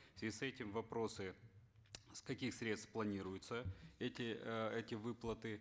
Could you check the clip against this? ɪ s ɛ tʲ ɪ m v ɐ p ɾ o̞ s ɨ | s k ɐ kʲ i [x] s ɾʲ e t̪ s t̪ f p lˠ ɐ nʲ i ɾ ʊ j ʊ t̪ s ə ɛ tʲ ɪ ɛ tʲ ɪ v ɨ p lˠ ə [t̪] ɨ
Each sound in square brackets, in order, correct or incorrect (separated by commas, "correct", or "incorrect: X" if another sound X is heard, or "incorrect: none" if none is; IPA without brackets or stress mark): correct, correct